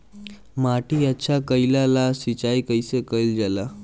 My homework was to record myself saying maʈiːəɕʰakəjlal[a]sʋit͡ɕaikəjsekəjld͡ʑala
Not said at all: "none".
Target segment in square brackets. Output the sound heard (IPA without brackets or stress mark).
a